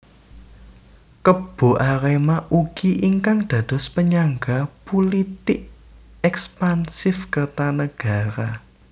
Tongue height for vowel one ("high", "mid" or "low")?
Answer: mid